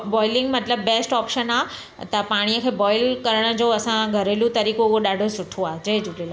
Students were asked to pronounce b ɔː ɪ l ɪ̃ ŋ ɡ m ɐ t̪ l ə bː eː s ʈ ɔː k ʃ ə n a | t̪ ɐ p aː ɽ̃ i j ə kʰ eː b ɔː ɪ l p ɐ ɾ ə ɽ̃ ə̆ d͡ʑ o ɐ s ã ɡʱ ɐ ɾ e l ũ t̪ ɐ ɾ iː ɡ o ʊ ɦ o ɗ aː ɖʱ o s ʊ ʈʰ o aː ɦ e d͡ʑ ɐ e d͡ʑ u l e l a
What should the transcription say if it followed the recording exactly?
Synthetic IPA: b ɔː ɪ l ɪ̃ ŋ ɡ m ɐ t̪ l ə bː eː s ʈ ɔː p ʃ ə n a | t̪ ɐ p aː ɽ̃ i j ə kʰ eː b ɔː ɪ l k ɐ ɾ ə ɽ̃ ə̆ d͡ʑ o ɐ s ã ɡʱ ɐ ɾ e l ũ t̪ ɐ ɾ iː k o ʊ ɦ o ɗ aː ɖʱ o s ʊ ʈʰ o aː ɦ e d͡ʑ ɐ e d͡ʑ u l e l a

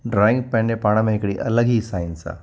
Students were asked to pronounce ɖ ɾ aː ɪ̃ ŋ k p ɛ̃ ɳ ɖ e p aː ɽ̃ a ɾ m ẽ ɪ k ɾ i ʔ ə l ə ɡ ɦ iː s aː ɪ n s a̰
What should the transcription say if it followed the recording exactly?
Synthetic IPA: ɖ ɾ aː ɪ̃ ŋ ɡ p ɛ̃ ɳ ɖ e p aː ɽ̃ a m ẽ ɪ k ɽ i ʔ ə l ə ɡ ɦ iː s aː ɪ n s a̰

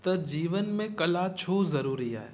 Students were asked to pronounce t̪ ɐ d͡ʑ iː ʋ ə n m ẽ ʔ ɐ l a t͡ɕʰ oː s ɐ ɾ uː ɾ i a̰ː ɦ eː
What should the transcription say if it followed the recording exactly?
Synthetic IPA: t̪ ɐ d͡ʑ iː ʋ ə n m ẽ k ɐ l a t͡ɕʰ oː z ɐ ɾ uː ɾ i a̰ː ɦ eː

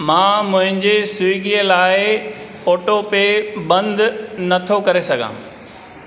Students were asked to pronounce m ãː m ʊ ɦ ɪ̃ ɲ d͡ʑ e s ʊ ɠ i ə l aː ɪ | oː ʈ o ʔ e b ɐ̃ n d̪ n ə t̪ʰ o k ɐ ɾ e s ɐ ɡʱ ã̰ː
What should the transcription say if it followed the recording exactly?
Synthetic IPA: m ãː m ʊ̃ ɦ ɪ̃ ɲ d͡ʑ e s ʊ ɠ i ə l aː ɪ | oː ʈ o p e b ɐ̃ n d̪ n ɐ t̪ʰ o k ɐ ɾ e s ɐ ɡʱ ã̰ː

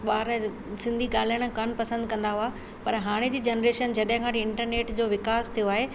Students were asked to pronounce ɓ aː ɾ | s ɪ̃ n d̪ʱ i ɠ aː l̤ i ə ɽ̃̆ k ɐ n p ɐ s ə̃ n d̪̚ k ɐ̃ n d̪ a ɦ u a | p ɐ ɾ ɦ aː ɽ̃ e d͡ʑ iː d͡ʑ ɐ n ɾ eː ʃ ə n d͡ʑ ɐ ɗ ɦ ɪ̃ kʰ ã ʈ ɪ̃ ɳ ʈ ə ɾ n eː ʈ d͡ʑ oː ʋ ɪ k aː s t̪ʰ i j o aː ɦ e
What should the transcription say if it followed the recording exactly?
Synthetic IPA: ɓ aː ɾ | s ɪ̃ n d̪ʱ i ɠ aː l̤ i ə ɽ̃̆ k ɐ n p ɐ s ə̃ n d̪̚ k ɐ̃ n d̪ a ɦ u a | p ɐ ɾ ɦ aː ɽ̃ e d͡ʑ iː d͡ʑ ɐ n ɾ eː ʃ ə n d͡ʑ ɐ ɗ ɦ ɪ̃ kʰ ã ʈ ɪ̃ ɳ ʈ ə ɾ n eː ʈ d͡ʑ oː ʋ ɪ k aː s t̪ʰ i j o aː ɦ e

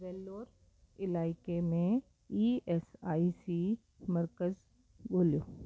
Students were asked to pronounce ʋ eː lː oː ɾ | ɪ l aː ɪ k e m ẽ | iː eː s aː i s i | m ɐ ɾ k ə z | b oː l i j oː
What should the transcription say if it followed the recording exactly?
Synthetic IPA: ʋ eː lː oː ɾ | ɪ l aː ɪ k e m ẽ | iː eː s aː i s i | m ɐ ɾ k ə z | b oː l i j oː

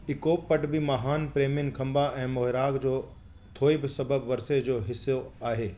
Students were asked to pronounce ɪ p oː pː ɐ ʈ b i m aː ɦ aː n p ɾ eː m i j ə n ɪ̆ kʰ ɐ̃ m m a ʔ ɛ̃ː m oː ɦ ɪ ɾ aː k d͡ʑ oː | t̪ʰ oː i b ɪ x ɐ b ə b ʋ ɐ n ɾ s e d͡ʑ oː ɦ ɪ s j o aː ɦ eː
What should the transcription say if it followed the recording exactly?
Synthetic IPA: ɪ k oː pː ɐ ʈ b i m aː ɦ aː n p ɾ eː m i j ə n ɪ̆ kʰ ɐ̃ m b a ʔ ɛ̃ː m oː ɦ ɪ ɾ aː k d͡ʑ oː | t̪ʰ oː i b ɪ s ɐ b ə b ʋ ɐ ɾ s e d͡ʑ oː ɦ ɪ s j o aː ɦ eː

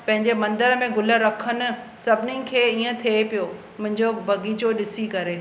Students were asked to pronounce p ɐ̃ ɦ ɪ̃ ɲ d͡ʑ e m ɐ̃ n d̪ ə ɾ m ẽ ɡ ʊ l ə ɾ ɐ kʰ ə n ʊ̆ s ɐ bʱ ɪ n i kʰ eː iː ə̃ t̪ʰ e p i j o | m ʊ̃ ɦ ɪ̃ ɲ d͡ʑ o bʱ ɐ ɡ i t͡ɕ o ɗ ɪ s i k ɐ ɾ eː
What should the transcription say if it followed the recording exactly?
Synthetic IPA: p ɐ̃ ɦ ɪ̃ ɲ d͡ʑ e m ɐ̃ n d̪ ə ɾ m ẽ ɡ ʊ l ə ɾ ɐ kʰ ə n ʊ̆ s ɐ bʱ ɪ n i kʰ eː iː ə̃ t̪ʰ e p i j o | m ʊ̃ ɦ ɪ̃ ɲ d͡ʑ o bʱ ɐ ɡ i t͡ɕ o ɗ ɪ s i k ɐ ɾ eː

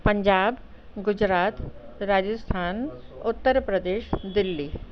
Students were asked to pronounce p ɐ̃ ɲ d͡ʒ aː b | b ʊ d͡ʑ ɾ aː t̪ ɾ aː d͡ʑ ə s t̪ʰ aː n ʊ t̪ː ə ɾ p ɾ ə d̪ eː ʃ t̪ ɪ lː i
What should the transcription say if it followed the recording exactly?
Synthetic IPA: p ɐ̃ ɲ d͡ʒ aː b | ɡ ʊ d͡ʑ ɾ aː t̪ ɾ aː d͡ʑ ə s t̪ʰ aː n ʊ t̪ː ə ɾ p ɾ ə d̪ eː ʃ d̪ ɪ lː i

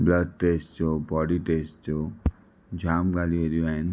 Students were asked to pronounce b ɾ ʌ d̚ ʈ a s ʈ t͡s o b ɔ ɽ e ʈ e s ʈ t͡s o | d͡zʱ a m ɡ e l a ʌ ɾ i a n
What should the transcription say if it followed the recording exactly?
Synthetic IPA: b l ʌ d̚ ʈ e s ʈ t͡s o b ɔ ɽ i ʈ e s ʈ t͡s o | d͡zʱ a m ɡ a l i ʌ ɾ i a n

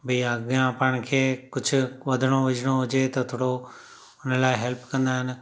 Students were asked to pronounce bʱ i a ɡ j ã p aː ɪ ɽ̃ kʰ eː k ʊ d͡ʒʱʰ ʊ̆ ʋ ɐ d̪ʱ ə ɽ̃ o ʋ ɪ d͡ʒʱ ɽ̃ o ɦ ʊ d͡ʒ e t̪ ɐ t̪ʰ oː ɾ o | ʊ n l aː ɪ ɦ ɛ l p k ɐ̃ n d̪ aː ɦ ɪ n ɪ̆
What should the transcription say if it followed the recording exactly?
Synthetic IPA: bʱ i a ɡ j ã p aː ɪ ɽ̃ kʰ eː k ʊ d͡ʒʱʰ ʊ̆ ʋ ɐ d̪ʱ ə ɽ̃ o ʋ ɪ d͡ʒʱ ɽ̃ o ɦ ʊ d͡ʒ e t̪ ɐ t̪ʰ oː ɽ o | ʊ n l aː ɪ ɦ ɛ l p k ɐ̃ n d̪ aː ɦ ɪ n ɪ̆

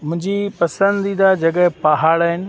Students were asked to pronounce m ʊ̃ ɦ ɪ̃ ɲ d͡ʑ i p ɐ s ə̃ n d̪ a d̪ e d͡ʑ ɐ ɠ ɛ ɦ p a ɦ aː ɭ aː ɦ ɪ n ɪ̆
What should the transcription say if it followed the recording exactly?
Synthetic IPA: m ʊ̃ ɦ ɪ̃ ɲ d͡ʑ i p ɐ s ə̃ n d̪ i d̪ a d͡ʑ ɐ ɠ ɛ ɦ p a ɦ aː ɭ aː ɦ ɪ n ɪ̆

